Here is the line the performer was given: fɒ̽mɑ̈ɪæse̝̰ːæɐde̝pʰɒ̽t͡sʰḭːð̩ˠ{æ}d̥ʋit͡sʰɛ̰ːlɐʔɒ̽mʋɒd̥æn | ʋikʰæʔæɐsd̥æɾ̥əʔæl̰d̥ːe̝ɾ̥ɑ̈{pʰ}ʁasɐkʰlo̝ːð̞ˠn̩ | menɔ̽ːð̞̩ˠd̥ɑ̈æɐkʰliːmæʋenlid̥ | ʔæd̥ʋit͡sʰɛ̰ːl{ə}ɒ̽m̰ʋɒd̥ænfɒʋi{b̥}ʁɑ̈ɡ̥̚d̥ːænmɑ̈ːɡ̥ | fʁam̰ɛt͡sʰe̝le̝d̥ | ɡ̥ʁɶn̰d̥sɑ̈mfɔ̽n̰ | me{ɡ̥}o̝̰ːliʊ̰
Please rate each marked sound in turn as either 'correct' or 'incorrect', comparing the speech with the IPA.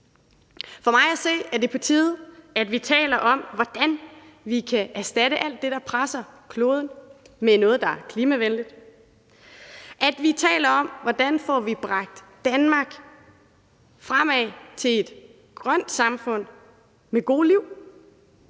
correct, correct, incorrect: ɐ, correct, correct

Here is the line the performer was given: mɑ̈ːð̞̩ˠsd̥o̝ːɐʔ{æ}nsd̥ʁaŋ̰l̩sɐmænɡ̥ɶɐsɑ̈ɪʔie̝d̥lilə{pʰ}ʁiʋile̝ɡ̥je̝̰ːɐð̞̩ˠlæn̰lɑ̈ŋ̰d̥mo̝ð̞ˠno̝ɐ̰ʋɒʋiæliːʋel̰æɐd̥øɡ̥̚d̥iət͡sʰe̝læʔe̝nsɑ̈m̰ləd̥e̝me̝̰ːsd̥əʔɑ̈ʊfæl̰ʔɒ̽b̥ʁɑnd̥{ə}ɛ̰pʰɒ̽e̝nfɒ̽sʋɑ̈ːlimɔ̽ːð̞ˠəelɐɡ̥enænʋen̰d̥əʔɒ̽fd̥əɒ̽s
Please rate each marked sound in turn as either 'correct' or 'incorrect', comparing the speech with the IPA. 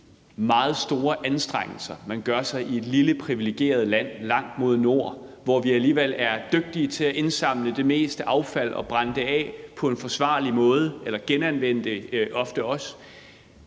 correct, correct, correct

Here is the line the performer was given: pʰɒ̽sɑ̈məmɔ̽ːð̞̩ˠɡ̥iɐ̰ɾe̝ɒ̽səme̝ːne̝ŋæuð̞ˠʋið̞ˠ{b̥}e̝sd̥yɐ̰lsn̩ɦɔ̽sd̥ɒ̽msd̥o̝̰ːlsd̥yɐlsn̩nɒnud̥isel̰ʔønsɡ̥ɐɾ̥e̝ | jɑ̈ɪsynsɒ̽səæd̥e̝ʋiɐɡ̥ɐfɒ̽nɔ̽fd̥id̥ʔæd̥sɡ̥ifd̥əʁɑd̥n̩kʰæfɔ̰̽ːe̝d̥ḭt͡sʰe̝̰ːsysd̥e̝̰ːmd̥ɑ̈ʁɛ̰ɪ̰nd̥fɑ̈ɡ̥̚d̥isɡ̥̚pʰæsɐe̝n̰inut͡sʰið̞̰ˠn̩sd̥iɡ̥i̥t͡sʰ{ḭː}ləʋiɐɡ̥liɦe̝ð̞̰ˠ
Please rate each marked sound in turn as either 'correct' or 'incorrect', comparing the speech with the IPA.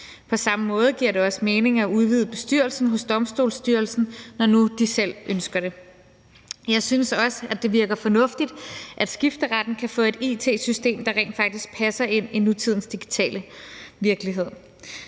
correct, incorrect: ɛ̰ː

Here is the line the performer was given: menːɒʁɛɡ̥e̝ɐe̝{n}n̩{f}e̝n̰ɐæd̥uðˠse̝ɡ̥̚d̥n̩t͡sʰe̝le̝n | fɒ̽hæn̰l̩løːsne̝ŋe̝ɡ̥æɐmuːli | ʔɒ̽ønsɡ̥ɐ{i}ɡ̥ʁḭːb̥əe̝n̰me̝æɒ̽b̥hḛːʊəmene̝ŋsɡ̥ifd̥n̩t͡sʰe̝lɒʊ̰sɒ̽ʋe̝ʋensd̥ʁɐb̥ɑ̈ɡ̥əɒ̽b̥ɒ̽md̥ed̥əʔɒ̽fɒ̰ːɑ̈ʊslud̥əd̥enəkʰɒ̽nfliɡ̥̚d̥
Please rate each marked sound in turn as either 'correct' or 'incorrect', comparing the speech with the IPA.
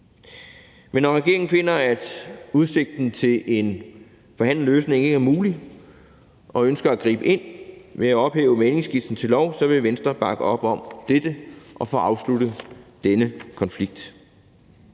incorrect: ŋ, correct, incorrect: æ

